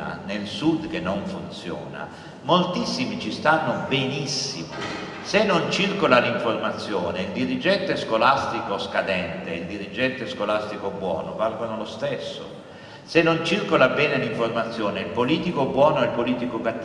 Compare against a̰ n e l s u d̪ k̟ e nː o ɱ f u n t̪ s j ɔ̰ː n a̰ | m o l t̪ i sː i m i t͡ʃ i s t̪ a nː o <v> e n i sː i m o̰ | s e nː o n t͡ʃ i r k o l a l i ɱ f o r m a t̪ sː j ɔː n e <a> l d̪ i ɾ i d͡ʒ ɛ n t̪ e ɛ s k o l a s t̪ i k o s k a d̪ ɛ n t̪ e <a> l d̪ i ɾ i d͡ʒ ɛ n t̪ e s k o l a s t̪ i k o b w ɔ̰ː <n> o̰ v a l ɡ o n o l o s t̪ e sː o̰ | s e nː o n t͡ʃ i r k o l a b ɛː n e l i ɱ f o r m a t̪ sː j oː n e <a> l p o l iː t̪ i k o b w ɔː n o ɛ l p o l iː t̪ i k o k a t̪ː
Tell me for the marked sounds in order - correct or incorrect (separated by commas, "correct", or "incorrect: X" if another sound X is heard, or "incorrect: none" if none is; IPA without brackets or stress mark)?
incorrect: b, incorrect: i, incorrect: i, correct, incorrect: i